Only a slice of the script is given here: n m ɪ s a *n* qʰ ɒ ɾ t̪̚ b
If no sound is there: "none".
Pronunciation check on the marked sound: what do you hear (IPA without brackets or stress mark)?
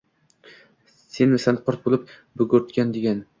n